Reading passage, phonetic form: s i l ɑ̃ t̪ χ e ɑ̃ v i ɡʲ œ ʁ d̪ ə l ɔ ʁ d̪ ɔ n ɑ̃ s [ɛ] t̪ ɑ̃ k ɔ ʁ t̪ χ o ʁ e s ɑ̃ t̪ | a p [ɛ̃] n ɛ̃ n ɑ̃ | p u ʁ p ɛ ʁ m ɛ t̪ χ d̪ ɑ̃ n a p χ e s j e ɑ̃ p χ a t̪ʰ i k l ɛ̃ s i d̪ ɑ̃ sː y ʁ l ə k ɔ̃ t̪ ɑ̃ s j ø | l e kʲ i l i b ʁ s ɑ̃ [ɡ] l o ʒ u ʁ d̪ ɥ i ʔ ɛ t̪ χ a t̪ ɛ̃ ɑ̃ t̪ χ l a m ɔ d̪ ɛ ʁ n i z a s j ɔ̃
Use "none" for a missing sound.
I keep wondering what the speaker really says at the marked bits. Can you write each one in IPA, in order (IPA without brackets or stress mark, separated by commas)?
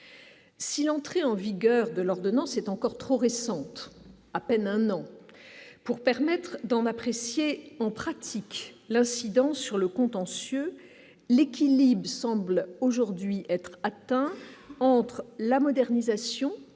ɛ, ɛ, b